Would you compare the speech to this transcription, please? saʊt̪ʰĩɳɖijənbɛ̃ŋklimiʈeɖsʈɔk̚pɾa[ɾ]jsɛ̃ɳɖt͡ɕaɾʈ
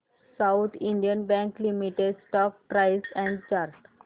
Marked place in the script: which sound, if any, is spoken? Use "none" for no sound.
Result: none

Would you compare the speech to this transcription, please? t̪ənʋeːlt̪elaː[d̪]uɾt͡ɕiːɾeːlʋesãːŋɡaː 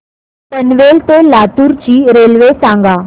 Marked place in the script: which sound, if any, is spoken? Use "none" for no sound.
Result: t̪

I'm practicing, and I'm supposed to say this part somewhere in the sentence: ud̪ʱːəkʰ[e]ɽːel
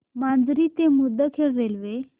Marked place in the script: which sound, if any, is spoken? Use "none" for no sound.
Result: e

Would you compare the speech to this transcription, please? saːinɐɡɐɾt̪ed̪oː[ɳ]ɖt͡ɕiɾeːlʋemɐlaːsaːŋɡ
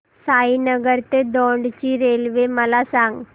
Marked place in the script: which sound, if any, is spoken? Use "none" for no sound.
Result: ɳ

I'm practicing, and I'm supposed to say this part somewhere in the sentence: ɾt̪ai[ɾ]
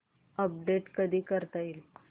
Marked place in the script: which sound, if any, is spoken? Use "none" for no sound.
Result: l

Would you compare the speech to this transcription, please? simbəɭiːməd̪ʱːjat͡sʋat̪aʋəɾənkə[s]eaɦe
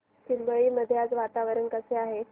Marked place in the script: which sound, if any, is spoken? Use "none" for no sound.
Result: s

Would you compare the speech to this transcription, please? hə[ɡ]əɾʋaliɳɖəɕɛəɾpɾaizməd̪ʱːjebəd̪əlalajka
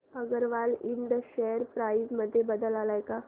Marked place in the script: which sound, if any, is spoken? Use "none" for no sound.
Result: ɡ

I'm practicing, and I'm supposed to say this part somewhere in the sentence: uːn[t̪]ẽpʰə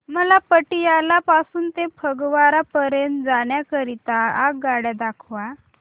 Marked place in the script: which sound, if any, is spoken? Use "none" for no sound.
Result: t̪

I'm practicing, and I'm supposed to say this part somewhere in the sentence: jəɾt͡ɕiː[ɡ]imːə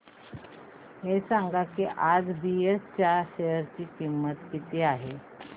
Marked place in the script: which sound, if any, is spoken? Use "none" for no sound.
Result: k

